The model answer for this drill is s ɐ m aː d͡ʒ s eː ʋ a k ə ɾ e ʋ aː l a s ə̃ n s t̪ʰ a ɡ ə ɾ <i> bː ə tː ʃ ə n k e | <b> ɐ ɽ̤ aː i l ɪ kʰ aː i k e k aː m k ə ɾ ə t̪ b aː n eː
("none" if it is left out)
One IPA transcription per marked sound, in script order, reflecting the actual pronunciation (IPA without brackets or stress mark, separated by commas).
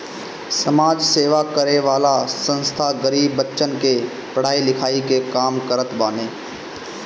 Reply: iː, p